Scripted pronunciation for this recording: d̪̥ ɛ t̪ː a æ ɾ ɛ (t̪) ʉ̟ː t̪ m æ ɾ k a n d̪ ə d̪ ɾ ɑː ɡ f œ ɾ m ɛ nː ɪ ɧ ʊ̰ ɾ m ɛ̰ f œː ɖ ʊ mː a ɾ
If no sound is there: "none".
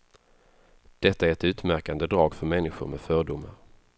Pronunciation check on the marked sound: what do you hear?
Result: t̪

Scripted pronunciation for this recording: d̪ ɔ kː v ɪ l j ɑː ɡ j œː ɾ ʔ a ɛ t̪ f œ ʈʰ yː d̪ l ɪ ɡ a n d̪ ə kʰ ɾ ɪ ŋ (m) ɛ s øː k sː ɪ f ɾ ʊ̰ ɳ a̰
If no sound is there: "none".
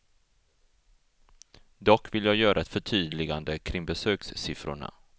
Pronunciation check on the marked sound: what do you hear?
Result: b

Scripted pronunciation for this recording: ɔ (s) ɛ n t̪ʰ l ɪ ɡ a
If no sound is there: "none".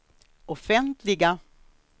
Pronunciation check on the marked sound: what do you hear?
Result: f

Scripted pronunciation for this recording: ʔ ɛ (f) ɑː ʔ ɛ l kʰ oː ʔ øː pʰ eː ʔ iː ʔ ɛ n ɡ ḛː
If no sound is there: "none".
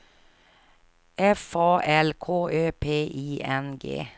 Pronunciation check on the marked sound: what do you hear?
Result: f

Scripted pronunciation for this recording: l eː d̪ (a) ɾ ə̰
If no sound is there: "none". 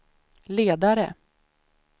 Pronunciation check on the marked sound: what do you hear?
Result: a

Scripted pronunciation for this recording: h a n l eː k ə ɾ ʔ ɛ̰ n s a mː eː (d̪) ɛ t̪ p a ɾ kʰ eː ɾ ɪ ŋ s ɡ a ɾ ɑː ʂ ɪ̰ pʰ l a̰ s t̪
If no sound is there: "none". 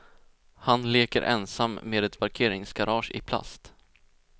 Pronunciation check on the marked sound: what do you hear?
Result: d̪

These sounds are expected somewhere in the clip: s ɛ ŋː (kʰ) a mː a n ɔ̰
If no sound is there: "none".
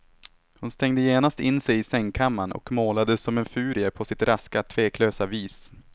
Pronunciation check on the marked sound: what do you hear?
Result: kʰ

